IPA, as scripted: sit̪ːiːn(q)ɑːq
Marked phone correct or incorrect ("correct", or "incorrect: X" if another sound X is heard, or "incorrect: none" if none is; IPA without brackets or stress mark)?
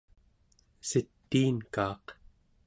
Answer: incorrect: k